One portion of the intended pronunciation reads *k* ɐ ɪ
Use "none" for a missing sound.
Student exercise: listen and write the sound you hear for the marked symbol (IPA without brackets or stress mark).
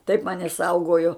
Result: t